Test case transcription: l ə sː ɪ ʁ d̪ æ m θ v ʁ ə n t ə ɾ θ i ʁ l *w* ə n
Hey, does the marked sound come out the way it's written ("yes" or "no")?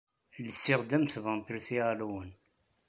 yes